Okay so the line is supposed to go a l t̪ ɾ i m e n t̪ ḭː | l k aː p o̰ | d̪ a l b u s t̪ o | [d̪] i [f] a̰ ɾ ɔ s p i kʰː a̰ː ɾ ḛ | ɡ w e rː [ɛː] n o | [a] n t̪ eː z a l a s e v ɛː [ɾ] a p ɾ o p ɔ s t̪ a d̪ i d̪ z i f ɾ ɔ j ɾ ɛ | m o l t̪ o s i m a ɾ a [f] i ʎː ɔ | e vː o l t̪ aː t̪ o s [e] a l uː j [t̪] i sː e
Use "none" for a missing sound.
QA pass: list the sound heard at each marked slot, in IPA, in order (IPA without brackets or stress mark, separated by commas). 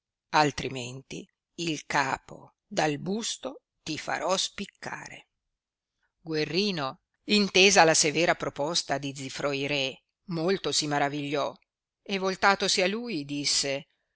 t̪, f, iː, i, ɾ, v, i, d̪